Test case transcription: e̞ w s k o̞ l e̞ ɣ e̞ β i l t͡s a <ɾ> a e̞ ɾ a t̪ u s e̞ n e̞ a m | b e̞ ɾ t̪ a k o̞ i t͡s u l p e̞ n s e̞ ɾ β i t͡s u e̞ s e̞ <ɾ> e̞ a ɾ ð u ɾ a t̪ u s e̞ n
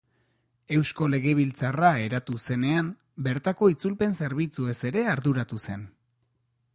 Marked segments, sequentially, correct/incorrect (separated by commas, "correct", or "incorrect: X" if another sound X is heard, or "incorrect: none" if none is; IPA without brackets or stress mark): incorrect: r, correct